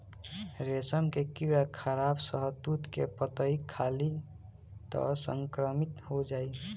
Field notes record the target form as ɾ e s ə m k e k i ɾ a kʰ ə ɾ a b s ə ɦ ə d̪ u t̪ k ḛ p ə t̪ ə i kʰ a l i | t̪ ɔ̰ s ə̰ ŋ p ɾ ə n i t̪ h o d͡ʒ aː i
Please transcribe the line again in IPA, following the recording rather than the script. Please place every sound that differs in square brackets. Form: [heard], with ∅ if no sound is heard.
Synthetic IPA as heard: ɾ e s ə m k e k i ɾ a kʰ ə ɾ a b s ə ɦ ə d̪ u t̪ k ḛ p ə t̪ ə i kʰ a l i | t̪ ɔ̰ s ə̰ ŋ [k] ɾ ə [m] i t̪ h o d͡ʒ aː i

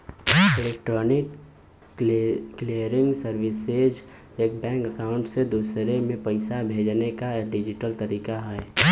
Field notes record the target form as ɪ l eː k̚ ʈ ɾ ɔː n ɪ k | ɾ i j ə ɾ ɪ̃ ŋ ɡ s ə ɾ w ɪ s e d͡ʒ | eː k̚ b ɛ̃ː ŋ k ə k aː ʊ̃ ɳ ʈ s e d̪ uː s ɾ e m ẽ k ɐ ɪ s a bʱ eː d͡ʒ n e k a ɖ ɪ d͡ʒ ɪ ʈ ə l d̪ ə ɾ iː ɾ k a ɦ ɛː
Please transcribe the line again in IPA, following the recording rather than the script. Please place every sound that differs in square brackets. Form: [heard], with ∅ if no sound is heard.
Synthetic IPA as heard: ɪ l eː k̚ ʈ ɾ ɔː n ɪ k | [l] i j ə ɾ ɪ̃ ŋ ɡ s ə ɾ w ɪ s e d͡ʒ | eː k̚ b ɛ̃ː ŋ k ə k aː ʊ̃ ɳ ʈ s e d̪ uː s ɾ e m ẽ [p] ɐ ɪ s a bʱ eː d͡ʒ n e k a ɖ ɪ d͡ʒ ɪ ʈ ə l [t̪] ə ɾ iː [∅] k a ɦ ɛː

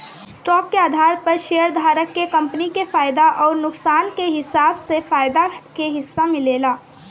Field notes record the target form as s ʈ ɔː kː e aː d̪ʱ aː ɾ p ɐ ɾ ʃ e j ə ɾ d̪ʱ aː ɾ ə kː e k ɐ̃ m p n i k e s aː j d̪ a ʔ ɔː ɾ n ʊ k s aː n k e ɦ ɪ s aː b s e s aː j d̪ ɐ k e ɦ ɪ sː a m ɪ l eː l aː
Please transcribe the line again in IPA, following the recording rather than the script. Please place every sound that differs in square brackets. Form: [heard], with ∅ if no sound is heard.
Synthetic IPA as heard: s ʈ ɔː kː e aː d̪ʱ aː ɾ p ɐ ɾ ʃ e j ə ɾ d̪ʱ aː ɾ ə kː e k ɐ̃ m p n i k e [f] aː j d̪ a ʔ ɔː ɾ n ʊ k s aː n k e ɦ ɪ s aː b s e [f] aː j d̪ [a] k e ɦ ɪ sː a m ɪ l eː l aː

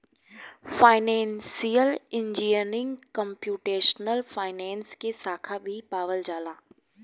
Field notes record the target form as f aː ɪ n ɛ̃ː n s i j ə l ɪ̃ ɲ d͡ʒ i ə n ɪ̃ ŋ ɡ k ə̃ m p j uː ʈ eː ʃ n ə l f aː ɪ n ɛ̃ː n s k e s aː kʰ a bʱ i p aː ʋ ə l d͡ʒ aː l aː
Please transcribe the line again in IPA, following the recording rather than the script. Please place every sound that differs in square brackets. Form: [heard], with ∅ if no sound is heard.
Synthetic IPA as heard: f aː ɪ n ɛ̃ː n s i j ə l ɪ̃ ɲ d͡ʒ i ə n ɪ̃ ŋ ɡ k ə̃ m p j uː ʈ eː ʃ n ə l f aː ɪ n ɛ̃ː n s k e s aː kʰ a bʱ i p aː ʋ ə l d͡ʒ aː l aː

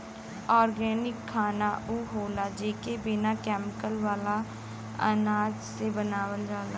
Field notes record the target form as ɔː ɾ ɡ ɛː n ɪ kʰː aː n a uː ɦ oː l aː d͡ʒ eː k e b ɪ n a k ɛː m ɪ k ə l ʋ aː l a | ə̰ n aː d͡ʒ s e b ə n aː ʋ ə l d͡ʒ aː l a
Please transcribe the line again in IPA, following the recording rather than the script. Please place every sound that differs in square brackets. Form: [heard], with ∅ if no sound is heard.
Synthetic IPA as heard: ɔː ɾ ɡ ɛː n ɪ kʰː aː n a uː ɦ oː l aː d͡ʒ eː k e b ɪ n a k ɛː m ɪ k ə l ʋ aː l a | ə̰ n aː d͡ʒ s e b ə n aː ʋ ə l d͡ʒ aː l a

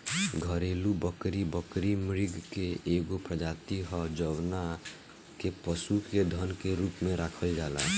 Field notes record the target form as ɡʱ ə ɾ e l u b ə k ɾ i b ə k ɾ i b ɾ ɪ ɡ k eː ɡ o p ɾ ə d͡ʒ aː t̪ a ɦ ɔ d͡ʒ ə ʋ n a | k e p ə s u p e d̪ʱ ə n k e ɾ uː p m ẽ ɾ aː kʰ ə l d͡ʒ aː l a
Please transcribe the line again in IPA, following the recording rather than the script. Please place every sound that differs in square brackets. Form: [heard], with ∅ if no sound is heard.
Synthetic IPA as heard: ɡʱ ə ɾ e l u b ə k ɾ i b ə k ɾ i [m] ɾ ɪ ɡ k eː ɡ o p ɾ ə d͡ʒ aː t̪ [i] ɦ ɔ d͡ʒ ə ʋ n a | k e p ə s u [k] e d̪ʱ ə n k e ɾ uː p m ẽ ɾ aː kʰ ə l d͡ʒ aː l a

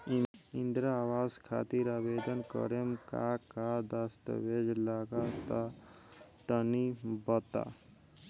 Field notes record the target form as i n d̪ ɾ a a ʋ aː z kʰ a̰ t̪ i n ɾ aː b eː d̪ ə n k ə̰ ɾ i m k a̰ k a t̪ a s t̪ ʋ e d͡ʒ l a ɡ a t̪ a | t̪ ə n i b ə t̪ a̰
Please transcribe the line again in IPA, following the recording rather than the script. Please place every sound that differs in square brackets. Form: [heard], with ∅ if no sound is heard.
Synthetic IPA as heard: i n d̪ ɾ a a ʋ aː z kʰ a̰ t̪ i [∅] ɾ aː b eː d̪ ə n k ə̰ ɾ [e] m k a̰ k a [d̪] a s t̪ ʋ e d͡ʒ l a ɡ a t̪ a | t̪ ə n i b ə t̪ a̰

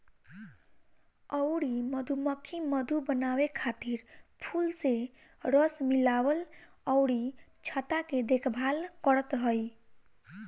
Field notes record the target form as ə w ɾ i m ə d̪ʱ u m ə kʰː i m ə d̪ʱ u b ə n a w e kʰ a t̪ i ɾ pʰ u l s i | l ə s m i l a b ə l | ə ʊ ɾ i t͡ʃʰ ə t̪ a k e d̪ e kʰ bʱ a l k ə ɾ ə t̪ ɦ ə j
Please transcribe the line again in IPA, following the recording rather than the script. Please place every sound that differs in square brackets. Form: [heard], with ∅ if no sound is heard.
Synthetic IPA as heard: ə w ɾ i m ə d̪ʱ u m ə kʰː i m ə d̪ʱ u b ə n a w e kʰ a t̪ i ɾ pʰ u l s [e] | [ɾ] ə s m i l a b ə l | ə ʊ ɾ i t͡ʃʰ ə t̪ a k e d̪ e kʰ bʱ a l k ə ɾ ə t̪ ɦ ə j

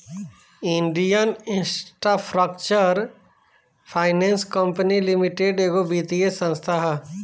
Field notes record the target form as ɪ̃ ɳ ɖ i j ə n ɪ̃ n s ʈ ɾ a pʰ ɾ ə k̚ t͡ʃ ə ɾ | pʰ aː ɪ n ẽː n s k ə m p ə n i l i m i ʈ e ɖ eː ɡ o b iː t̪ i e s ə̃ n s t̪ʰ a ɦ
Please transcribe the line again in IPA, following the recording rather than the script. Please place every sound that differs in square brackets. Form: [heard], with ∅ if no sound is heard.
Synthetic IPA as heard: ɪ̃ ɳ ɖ i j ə n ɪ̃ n s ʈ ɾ a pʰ ɾ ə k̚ t͡ʃ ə ɾ | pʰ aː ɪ n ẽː n s k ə m p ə n i l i m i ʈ e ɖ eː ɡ o b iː t̪ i e s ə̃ n s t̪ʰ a ɦ

